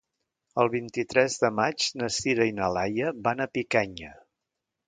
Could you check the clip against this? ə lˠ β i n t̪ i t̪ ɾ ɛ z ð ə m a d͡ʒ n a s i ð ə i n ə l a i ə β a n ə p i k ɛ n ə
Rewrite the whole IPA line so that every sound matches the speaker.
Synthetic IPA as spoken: ə lˠ β i n t̪ i t̪ ɾ ɛ z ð ə m a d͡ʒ n ə s i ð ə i n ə l a j ə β a n ə p i k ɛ ɲ ə